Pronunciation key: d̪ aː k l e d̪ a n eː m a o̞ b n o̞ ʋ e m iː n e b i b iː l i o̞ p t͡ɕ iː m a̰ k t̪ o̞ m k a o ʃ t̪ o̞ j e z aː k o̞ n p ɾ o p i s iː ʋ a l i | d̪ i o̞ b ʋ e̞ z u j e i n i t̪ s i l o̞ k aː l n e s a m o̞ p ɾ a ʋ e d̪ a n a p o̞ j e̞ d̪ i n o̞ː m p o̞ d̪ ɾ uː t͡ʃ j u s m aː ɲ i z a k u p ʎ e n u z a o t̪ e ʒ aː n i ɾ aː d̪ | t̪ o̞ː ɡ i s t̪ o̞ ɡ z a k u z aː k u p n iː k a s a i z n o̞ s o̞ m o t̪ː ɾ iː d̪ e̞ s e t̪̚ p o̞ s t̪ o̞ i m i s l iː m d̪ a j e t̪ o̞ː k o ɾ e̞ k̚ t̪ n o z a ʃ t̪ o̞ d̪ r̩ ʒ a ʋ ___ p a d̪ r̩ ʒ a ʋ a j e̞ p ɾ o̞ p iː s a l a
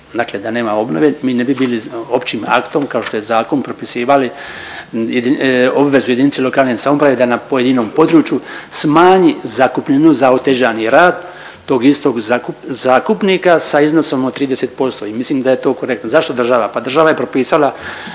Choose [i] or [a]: a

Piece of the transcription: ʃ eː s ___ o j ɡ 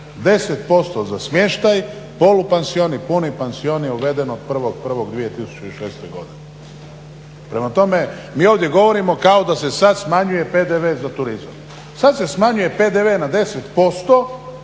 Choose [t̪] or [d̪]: t̪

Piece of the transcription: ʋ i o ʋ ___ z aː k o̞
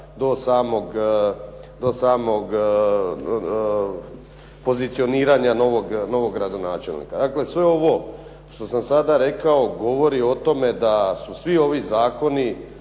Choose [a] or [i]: i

